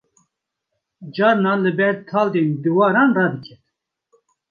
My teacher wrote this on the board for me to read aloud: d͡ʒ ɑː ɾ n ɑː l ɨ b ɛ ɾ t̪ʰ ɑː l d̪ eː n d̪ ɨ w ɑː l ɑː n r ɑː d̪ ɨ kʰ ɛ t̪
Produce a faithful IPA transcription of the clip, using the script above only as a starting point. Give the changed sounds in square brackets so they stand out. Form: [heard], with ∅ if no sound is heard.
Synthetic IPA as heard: d͡ʒ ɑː ɾ n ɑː l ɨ b ɛ ɾ t̪ʰ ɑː l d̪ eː n d̪ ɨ w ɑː [ɾ] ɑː n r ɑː d̪ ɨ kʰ ɛ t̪